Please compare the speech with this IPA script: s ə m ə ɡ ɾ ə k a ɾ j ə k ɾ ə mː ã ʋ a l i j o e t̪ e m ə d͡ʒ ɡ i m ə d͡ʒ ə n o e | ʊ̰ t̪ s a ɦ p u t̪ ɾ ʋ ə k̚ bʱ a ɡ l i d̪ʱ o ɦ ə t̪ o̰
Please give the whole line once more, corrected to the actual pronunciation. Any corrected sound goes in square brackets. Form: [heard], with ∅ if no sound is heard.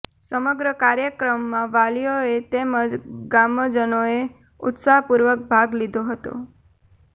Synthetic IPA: s ə m ə ɡ ɾ ə k a ɾ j ə k ɾ ə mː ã ʋ a l i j o e t̪ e m ə d͡ʒ ɡ [a] m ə d͡ʒ ə n o e | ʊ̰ t̪ s a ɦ p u [∅] ɾ ʋ ə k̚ bʱ a ɡ l i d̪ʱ o ɦ ə t̪ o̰